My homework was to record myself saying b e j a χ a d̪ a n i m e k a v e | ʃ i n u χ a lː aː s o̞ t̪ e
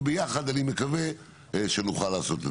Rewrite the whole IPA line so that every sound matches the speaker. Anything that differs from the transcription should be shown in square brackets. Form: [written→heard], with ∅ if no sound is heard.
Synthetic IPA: b e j a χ a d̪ a n i m e k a v e | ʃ [i→e] n u χ a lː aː s o̞ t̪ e

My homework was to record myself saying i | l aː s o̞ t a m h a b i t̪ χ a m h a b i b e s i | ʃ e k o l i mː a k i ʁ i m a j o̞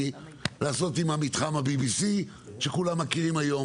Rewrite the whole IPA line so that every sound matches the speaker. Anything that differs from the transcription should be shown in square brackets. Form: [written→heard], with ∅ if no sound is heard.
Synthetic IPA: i | l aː s o̞ t [a→i] m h a [b→m] i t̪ χ a m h a b i b [e→i] s i | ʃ e k [o→u] l [i→a] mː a k i ʁ i m a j o̞

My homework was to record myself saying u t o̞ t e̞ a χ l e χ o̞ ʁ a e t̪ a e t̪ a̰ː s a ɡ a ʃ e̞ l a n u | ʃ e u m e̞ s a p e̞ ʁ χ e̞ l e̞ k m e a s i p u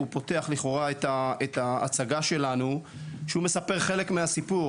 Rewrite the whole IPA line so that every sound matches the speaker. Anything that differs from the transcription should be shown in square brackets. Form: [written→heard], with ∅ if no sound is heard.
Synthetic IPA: u [t→p] o̞ t e̞ a χ l [e→i] χ o̞ ʁ a e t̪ a e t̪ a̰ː [s→t͡s] a ɡ a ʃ e̞ l a n u | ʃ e u m e̞ s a p e̞ ʁ χ e̞ l e̞ k m e a s i p u

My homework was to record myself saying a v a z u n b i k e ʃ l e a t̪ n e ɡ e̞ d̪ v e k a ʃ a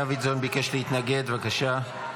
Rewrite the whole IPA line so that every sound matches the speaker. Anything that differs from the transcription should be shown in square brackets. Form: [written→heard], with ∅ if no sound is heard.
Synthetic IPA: a v [a→i] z [u→o] n b i k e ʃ l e [a→i] t̪ n [e→a] ɡ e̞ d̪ v [e→a] k a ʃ a

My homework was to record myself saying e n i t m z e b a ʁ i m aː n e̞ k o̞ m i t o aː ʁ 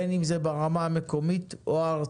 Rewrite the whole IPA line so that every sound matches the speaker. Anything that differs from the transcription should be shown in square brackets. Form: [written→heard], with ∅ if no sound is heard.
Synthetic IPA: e n i [t→∅] m z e b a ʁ [i→a] m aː [n→m] e̞ k o̞ m i t o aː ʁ

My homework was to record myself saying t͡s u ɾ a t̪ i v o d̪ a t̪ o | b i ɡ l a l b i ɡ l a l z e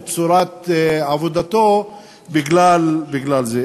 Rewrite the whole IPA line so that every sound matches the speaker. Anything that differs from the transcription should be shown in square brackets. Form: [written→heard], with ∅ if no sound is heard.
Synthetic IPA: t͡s u ɾ a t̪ [i→a] v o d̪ a t̪ o | b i ɡ l a l b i ɡ l a l z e

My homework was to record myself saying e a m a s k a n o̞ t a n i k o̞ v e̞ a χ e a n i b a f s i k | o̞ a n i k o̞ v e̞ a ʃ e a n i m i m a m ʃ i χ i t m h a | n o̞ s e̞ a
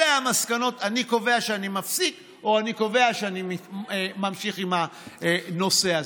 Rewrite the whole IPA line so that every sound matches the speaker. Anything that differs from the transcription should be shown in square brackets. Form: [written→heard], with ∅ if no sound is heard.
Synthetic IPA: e a m a s k a n o̞ t a n i k o̞ v e̞ a [χ→ʃ] e a n i [b→m] a f s i k | o̞ a n i k o̞ v e̞ a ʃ e a n i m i m a m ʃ i χ i [t→∅] m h a | n o̞ s e̞ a

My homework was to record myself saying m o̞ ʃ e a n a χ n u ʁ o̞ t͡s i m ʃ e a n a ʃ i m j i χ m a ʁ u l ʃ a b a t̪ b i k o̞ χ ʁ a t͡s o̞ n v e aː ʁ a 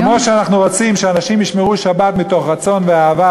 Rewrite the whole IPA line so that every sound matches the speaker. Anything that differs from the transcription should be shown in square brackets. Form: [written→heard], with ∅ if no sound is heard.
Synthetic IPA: m o̞ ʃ e a n a χ n u ʁ o̞ t͡s i m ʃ e a n a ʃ i m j i [χ→ʃ] m [a→e] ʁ u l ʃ a b a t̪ [b→m] i [k→t] o̞ χ ʁ a t͡s o̞ n v e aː [ʁ→v] a

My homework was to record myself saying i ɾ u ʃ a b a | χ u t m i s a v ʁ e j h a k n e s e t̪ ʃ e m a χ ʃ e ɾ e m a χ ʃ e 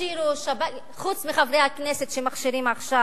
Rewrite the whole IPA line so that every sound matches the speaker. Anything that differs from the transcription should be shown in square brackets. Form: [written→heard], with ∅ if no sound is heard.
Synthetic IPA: i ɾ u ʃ a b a | χ u [t→t͡s] m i [s→χ] a v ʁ e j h a k n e s e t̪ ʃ e m a χ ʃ [e→i] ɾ [e→i] m a χ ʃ [e→a]

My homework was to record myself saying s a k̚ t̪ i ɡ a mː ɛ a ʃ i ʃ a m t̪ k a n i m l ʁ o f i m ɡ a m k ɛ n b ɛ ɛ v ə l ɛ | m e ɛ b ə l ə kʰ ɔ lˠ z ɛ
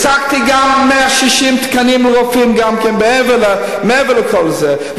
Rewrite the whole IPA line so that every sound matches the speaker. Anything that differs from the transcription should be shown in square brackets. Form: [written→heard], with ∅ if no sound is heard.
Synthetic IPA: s a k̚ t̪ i ɡ a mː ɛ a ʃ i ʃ [a→i] m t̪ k a n i m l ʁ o f i m ɡ a m k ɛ n b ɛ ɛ v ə l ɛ | m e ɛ [b→v] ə l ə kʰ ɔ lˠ z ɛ

